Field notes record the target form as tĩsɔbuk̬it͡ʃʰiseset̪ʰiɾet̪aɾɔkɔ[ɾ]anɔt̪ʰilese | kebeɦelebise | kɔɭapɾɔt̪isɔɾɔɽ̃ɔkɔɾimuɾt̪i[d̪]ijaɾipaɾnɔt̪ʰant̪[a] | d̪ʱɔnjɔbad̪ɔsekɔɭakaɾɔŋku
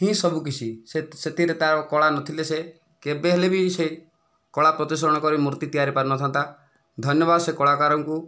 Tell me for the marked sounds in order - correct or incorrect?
incorrect: ɭ, incorrect: t̪, correct

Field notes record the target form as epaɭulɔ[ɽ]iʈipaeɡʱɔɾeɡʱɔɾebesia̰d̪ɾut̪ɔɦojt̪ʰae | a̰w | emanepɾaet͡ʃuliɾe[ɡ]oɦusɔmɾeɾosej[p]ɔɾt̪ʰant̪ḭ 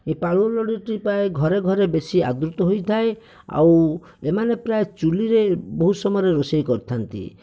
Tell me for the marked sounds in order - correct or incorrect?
correct, incorrect: b, incorrect: k

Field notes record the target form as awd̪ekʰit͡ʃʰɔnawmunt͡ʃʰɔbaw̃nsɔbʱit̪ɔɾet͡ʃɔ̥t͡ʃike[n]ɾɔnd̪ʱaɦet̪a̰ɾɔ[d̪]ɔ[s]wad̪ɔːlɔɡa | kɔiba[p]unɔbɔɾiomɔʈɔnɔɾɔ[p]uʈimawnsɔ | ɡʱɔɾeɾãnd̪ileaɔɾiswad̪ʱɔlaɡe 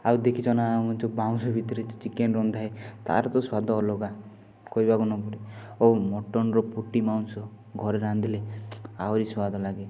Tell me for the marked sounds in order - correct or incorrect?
correct, incorrect: t̪, correct, incorrect: k, correct

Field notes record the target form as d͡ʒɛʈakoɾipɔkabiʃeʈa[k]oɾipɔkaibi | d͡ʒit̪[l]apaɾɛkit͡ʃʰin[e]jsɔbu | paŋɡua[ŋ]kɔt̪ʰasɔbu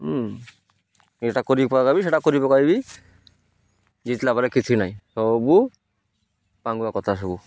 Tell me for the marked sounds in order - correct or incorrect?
correct, correct, incorrect: a, incorrect: none

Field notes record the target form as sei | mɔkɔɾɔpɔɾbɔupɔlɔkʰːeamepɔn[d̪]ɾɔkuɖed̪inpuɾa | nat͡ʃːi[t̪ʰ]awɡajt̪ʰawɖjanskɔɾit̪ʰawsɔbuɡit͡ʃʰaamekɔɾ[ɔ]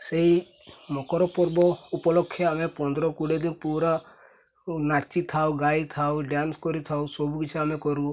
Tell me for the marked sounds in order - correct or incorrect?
correct, correct, incorrect: u

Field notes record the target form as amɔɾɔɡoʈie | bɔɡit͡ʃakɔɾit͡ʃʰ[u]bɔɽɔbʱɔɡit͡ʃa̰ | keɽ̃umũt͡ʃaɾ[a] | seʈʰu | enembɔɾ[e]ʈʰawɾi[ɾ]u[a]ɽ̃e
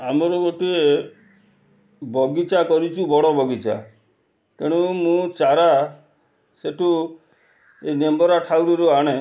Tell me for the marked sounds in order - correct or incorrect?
correct, correct, incorrect: a, correct, correct

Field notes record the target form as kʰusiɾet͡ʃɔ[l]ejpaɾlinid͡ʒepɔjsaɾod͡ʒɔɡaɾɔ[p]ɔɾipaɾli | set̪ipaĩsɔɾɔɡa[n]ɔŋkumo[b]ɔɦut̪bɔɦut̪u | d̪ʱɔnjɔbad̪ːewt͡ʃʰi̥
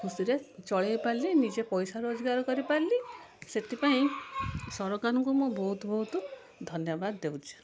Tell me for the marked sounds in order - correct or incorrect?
incorrect: ɭ, incorrect: k, correct, correct

